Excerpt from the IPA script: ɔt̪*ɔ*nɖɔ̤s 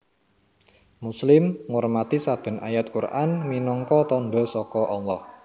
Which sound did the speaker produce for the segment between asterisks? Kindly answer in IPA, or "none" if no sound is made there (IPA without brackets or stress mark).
ɔ